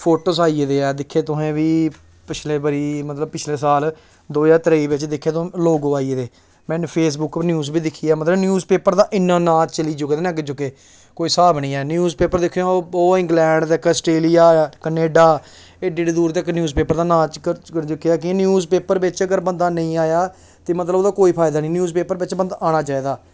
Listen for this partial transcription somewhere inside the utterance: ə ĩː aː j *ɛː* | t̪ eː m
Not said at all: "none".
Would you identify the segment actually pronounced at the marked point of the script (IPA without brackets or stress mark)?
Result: aː